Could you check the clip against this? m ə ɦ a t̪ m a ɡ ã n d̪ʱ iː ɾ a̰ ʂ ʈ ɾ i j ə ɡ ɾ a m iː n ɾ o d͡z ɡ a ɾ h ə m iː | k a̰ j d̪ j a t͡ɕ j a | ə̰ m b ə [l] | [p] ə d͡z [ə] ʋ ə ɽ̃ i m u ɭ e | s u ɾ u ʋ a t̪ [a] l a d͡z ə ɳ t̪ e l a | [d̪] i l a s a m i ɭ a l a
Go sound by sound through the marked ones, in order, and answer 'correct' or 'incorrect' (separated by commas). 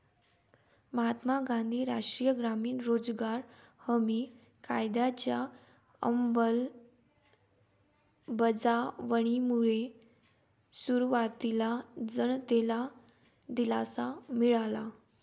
correct, incorrect, incorrect, incorrect, correct